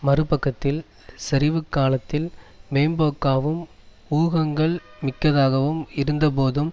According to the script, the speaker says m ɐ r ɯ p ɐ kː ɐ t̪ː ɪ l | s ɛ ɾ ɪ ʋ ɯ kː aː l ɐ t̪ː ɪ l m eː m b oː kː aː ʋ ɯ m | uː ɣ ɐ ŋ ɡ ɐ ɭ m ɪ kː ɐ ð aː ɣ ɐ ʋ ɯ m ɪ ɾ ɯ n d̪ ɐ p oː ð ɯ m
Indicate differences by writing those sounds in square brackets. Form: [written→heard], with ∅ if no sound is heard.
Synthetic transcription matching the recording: m ɐ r ɯ p ɐ kː ɐ t̪ː ɪ l | s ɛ ɾ ɪ ʋ ɯ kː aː l ɐ t̪ː ɪ l m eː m b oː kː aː ʋ ɯ m | uː ɣ ɐ ŋ ɡ ɐ ɭ m ɪ kː ɐ ð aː ɣ ɐ ʋ ɯ m ɪ ɾ ɯ n d̪ ɐ p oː ð ɯ m